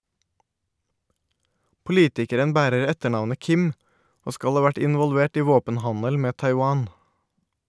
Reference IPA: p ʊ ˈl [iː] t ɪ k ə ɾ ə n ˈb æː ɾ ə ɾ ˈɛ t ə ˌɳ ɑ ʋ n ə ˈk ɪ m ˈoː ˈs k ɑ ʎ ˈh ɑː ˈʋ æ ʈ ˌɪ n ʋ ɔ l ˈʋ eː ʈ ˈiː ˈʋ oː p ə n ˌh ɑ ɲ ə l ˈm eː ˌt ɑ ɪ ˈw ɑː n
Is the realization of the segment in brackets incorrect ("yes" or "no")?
no